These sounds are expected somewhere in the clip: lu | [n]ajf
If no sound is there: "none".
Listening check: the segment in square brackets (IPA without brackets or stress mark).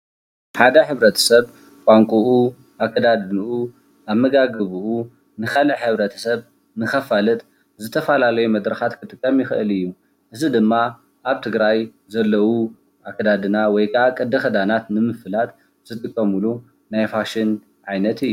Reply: n